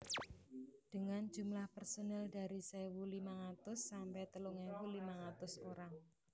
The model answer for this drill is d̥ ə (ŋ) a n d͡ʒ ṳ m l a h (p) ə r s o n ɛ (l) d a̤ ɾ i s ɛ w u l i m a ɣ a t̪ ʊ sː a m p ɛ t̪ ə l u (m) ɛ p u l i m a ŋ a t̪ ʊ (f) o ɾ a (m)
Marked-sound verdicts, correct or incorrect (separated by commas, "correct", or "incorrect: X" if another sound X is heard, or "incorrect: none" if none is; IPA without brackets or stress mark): correct, correct, correct, incorrect: ŋ, incorrect: s, incorrect: ŋ